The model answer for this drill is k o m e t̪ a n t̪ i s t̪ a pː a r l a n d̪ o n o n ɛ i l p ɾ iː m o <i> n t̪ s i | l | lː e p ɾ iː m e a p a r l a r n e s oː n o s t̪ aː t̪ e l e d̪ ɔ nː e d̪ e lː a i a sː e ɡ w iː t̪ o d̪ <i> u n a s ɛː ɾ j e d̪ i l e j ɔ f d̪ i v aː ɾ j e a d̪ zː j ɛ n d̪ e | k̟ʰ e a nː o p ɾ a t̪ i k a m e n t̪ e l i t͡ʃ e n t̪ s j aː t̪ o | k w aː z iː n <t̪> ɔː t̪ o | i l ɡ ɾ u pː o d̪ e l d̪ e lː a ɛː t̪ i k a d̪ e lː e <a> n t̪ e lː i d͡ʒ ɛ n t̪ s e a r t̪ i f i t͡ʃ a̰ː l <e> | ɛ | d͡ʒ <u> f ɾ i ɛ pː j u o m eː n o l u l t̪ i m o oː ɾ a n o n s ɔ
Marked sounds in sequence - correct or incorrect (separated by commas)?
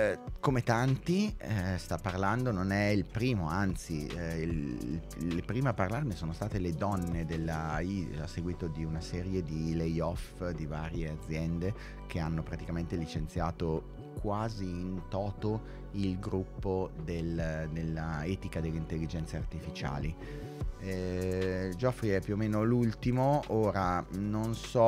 incorrect, correct, correct, incorrect, incorrect, incorrect